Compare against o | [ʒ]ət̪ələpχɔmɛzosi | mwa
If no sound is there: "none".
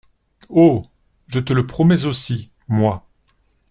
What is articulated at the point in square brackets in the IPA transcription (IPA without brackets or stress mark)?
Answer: ʒ